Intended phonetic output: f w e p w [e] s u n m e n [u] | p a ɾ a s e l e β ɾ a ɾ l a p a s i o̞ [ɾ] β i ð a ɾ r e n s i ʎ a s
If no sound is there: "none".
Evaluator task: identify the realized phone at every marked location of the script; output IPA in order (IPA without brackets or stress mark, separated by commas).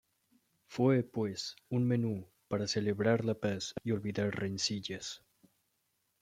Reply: e, u, l